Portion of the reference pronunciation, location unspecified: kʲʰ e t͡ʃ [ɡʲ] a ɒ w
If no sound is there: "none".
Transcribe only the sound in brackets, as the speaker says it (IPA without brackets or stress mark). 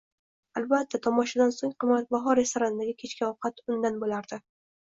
kʲ